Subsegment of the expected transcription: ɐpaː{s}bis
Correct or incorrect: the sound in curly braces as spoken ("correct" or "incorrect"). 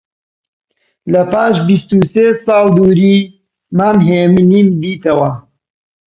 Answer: incorrect